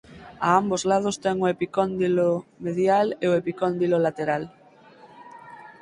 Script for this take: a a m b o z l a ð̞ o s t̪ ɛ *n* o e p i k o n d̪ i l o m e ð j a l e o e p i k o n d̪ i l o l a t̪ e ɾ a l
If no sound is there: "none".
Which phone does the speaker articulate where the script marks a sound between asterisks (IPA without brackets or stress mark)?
ŋ